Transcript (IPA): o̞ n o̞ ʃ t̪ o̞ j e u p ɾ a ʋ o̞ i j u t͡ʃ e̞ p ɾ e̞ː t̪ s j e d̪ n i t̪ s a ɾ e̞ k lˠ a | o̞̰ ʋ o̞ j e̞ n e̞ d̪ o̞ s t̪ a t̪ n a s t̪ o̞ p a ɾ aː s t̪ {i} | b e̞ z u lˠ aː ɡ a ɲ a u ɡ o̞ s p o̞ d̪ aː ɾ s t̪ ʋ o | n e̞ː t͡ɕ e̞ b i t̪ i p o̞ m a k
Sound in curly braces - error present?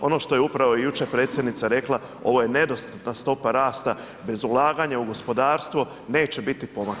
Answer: yes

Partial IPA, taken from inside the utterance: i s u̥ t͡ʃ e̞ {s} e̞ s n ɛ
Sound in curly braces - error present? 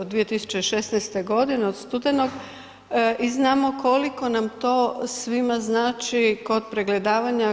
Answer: yes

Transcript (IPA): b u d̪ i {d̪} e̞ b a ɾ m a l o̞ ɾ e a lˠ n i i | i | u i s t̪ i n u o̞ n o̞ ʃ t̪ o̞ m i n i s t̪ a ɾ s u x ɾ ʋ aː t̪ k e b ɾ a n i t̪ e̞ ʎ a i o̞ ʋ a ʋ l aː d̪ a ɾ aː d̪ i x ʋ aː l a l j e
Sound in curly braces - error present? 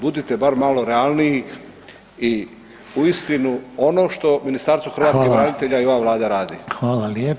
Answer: yes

